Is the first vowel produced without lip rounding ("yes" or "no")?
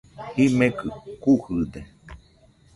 yes